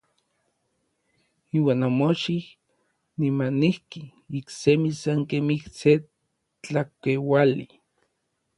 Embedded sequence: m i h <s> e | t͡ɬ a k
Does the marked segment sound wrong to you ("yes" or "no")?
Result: no